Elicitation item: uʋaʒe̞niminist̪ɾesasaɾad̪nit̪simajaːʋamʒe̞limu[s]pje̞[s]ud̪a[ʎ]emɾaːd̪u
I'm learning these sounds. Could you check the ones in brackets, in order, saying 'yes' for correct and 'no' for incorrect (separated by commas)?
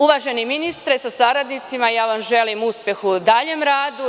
yes, no, yes